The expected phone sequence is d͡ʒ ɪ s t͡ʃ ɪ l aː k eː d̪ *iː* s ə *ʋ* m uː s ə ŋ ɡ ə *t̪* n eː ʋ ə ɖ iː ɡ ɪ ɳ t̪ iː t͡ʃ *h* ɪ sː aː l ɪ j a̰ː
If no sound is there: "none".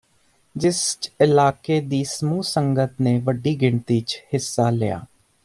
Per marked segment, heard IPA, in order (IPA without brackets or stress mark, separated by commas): iː, none, t̪, h